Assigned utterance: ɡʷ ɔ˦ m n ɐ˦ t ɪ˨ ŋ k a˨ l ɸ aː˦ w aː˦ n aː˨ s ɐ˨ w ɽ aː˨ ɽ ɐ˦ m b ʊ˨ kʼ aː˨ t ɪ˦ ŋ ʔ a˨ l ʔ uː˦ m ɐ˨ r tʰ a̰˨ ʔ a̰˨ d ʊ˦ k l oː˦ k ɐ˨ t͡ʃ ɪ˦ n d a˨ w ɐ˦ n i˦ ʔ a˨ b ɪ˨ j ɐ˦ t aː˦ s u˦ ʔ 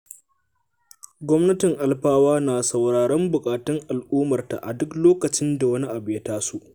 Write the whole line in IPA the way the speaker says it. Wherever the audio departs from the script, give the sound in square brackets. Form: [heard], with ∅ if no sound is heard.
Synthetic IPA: ɡʷ ɔ˦ m n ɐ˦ t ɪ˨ ŋ [ʔ] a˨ l ɸ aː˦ w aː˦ n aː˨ s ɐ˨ w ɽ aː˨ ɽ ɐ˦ m b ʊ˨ kʼ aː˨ t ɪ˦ ŋ ʔ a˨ l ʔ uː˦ m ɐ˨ r [t] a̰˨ ʔ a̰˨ d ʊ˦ k l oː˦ k ɐ˨ t͡ʃ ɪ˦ n d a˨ w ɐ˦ n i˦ ʔ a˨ b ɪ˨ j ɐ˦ t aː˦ s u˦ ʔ